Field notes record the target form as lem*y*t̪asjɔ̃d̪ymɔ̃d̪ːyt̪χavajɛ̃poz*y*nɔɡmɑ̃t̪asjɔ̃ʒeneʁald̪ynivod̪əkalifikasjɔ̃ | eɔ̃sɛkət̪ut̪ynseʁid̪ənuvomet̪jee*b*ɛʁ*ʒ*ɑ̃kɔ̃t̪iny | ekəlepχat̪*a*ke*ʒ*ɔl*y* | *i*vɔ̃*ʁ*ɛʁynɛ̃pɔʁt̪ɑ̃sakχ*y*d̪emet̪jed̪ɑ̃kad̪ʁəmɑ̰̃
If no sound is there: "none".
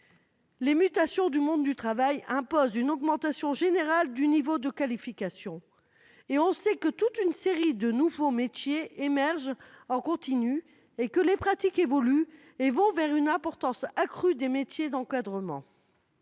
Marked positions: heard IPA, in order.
y, y, m, ʒ, i, v, y, e, v, y

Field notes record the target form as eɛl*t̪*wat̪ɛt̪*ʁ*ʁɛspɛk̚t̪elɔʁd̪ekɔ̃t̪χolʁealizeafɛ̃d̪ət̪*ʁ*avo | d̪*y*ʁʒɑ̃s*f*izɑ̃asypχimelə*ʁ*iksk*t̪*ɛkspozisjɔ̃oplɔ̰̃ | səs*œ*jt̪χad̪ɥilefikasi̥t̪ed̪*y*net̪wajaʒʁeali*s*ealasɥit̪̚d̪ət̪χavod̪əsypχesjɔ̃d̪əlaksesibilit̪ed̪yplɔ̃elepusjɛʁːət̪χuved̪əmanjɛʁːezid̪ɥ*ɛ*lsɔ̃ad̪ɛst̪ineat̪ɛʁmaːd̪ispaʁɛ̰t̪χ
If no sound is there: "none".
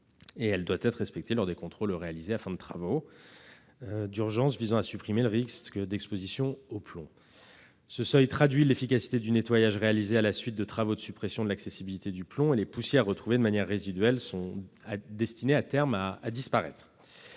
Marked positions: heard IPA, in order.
d̪, χ, χ, y, v, ʁ, d̪, œ, y, z, ɛ

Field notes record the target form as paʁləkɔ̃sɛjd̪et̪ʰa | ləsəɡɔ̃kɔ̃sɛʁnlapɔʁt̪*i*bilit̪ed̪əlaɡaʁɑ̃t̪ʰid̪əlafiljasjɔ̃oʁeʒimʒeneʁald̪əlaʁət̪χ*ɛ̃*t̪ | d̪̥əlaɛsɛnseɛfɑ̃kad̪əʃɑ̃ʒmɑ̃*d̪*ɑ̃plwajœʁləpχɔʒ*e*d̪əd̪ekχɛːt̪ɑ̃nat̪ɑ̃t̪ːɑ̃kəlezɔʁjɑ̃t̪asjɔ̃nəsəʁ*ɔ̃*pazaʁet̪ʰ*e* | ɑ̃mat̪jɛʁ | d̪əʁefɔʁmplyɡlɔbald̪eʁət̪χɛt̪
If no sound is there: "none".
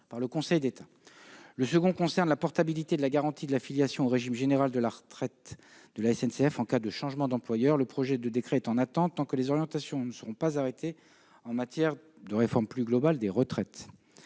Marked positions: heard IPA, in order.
a, ɛ, d̪, ɛ, ɔ̃, e

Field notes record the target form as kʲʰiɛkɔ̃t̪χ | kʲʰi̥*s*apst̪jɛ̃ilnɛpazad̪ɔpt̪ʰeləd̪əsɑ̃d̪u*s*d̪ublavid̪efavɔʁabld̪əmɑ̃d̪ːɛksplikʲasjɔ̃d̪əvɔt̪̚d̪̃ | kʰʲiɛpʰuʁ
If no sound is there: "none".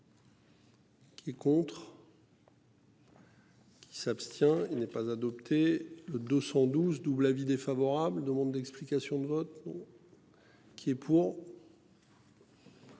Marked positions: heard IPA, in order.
s, z

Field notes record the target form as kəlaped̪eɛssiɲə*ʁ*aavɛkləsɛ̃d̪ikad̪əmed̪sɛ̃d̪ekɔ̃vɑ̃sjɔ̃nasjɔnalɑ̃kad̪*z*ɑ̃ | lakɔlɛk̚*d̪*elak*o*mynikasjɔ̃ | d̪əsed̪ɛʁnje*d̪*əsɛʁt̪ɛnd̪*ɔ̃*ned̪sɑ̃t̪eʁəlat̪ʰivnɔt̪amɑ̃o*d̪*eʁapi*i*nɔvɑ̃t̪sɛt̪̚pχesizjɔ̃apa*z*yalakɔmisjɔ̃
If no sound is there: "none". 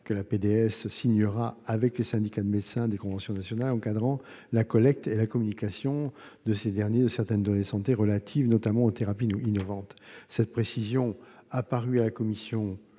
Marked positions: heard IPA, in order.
ʁ, ʁ, t̪, ɔ, d̪, ɔ, t̪, i, ʁ

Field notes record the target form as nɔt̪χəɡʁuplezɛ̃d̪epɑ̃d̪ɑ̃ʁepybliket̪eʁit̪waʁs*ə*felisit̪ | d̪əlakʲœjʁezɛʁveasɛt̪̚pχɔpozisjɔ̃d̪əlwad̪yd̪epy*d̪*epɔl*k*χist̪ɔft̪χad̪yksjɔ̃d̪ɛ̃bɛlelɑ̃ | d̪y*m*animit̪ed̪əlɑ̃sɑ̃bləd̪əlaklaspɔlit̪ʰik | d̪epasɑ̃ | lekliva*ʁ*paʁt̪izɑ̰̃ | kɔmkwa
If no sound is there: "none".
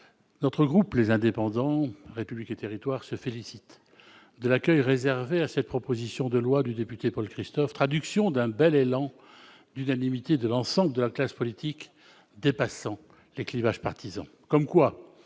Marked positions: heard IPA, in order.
ə, t̪, k, n, ʒ

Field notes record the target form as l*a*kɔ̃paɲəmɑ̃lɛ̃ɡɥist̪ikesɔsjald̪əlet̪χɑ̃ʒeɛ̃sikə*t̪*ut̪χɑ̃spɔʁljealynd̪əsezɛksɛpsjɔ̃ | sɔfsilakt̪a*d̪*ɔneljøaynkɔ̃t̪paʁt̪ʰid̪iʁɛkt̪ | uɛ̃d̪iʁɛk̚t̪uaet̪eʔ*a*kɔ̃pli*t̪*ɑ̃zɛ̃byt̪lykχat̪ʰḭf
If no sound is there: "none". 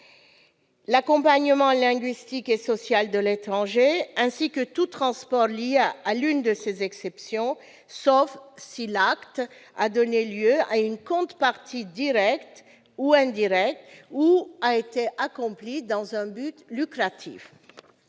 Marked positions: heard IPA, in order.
a, t̪, d̪, a, d̪

